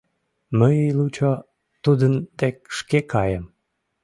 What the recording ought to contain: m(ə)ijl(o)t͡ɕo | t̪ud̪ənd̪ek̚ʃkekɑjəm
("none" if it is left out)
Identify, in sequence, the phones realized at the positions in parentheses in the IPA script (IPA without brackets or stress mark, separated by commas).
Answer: ə, u